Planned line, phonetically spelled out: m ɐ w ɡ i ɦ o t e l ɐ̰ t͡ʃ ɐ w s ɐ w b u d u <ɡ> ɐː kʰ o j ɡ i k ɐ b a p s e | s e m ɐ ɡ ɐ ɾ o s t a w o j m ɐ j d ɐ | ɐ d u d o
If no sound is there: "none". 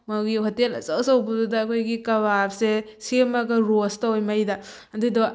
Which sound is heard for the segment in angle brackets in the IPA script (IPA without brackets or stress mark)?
d